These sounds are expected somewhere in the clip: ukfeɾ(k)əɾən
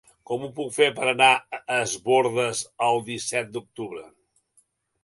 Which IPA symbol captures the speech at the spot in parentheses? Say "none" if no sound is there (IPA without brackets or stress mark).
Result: p